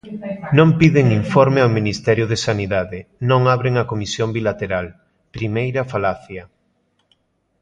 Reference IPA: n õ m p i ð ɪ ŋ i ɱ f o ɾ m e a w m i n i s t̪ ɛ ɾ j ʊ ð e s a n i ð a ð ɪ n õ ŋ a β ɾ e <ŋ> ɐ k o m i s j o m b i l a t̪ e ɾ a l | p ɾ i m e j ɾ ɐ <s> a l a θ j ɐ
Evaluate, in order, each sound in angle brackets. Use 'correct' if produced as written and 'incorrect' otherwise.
correct, incorrect

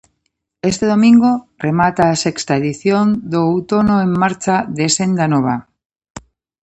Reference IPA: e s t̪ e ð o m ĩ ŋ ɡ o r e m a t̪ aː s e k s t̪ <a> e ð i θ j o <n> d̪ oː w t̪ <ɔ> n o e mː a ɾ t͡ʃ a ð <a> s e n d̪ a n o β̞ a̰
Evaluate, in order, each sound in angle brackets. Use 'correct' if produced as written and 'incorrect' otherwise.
correct, correct, incorrect, incorrect

